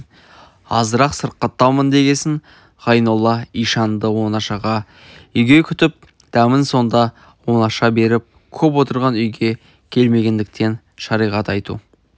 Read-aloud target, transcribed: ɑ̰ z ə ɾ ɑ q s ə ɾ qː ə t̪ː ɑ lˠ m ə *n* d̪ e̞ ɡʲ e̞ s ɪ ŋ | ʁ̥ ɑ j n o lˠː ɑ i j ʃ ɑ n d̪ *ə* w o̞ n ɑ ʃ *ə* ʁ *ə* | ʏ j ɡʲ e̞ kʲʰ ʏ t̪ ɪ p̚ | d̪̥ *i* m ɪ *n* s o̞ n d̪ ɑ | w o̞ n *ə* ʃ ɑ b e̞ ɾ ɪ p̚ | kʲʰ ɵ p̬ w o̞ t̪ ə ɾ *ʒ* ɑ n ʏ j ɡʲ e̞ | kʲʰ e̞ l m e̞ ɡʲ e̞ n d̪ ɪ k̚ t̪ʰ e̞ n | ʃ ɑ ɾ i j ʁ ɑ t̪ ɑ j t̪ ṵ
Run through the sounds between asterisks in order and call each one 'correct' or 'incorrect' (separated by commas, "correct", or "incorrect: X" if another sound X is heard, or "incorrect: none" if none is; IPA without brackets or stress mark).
correct, correct, incorrect: ɑ, incorrect: ɑ, incorrect: æ, correct, incorrect: ɑ, incorrect: ʁ